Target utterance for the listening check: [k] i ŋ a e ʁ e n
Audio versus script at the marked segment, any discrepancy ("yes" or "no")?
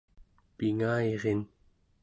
yes